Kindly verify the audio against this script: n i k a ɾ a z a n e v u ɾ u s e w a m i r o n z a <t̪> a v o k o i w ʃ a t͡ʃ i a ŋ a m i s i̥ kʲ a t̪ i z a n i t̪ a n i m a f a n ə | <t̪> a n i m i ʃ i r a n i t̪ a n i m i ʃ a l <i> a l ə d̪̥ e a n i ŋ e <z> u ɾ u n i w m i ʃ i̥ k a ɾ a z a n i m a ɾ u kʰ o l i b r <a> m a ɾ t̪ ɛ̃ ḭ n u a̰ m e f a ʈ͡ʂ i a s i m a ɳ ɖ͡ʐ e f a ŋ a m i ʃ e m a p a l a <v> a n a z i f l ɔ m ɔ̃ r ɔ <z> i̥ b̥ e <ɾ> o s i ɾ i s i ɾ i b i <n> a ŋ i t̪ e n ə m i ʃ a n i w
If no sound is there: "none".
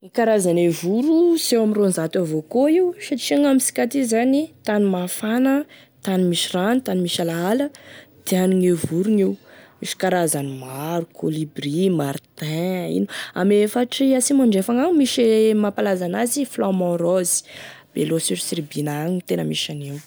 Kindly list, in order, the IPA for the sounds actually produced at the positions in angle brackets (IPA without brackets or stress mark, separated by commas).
t̪, t̪, a, v, i, z, z, l, n